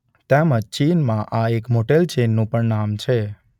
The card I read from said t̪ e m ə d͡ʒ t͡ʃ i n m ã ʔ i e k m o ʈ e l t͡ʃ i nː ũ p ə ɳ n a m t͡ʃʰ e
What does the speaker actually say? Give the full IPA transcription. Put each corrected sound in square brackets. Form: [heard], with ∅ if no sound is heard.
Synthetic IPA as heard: t̪ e m ə d͡ʒ t͡ʃ i n m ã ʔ [a] e k m o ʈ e l t͡ʃ [e] nː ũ p ə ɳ n a m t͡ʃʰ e

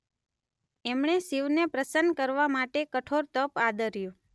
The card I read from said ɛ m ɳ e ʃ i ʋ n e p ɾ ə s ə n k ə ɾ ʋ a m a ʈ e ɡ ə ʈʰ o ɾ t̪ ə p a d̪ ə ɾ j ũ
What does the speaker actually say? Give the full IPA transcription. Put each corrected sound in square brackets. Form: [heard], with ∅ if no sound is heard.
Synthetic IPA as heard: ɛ m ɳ e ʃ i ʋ n e p ɾ ə s ə n k ə ɾ ʋ a m a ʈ e [k] ə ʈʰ o ɾ t̪ ə p a d̪ ə ɾ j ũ

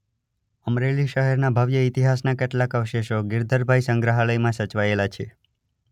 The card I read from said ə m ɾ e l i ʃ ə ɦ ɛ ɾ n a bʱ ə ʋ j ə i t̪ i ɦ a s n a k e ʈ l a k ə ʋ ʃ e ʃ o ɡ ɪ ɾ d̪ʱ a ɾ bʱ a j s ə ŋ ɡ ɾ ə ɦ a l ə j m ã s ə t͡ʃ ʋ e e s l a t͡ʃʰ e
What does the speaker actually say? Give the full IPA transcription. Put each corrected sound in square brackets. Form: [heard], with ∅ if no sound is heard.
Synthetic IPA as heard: ə m ɾ e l i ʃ ə ɦ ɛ ɾ n a bʱ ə ʋ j ə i t̪ i ɦ a s n a k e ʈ l a k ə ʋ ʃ e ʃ o ɡ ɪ ɾ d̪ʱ [ə] ɾ bʱ a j s ə ŋ ɡ ɾ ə ɦ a l ə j m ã s ə t͡ʃ ʋ [a] e [∅] l a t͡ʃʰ e

